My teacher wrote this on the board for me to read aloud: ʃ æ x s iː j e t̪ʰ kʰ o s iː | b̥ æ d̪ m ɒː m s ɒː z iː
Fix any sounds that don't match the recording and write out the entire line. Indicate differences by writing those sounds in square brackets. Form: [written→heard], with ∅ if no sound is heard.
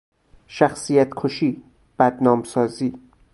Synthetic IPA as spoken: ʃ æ x s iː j [e→æ] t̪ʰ kʰ o [s→ʃ] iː | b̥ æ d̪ [m→n] ɒː m s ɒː z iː